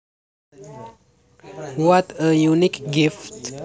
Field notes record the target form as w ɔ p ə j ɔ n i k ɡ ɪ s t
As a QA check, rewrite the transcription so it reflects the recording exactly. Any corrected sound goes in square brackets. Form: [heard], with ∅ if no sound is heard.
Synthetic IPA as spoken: w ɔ [t] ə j [u] n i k ɡ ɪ [f] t